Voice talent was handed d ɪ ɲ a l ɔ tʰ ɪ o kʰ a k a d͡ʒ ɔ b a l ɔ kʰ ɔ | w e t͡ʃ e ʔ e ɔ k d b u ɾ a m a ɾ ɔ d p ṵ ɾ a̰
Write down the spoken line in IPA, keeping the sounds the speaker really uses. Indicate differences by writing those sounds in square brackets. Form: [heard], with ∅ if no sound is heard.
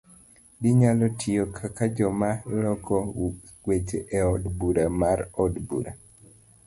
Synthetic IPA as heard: d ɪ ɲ a l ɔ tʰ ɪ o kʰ a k a d͡ʒ ɔ [m] a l ɔ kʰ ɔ | w e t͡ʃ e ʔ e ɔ [∅] d b u ɾ a m a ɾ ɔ d [b] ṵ ɾ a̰